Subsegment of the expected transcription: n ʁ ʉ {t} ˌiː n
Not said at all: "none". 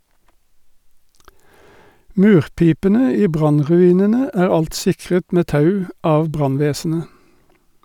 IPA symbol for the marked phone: none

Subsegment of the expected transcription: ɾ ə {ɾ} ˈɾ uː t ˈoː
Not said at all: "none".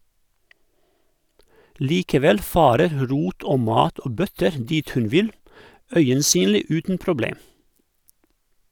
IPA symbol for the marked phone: ɾ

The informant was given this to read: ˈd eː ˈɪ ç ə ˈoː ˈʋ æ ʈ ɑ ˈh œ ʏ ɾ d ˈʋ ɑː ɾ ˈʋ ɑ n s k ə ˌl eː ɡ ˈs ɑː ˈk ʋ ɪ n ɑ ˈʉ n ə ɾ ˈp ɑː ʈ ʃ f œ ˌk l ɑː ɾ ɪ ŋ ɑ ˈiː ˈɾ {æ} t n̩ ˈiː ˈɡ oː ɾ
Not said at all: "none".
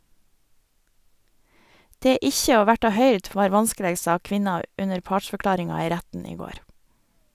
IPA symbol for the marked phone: æ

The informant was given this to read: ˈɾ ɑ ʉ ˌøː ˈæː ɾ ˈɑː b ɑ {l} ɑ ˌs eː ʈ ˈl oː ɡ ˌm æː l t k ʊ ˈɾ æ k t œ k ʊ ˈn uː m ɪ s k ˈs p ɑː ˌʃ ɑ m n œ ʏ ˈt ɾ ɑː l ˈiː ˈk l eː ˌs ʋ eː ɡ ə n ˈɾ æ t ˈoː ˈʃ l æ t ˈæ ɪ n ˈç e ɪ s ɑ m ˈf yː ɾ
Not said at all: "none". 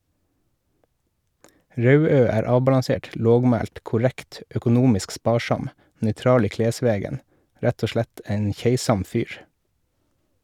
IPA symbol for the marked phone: l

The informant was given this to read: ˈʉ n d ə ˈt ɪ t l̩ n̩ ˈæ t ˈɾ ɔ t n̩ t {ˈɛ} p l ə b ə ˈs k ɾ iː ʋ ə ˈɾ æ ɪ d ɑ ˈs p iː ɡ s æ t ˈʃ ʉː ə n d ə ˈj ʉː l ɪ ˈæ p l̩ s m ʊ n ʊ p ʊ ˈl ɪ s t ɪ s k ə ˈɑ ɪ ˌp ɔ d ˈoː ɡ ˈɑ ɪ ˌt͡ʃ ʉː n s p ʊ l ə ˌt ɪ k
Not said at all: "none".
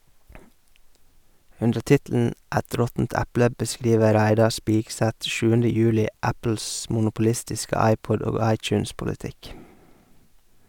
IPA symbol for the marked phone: æ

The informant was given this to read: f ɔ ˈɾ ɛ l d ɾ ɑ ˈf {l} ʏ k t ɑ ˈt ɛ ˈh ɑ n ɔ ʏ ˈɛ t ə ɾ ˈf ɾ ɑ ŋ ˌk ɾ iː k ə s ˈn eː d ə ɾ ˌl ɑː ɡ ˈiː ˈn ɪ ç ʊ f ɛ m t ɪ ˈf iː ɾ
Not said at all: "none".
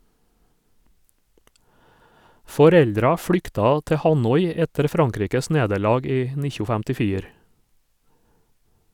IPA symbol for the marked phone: ɽ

